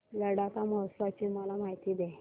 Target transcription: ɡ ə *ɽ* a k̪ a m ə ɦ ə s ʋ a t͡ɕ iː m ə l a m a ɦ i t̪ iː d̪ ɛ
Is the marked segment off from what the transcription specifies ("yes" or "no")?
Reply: no